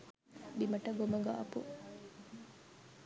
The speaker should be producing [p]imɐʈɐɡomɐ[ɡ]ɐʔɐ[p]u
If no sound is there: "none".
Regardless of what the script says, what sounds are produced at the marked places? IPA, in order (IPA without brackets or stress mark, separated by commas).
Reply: b, ɡ, p